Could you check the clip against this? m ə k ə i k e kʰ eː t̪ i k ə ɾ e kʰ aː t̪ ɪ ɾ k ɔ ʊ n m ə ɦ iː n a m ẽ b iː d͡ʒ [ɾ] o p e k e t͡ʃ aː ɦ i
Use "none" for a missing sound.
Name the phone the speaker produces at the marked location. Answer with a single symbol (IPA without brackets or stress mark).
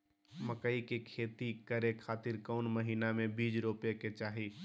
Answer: ɾ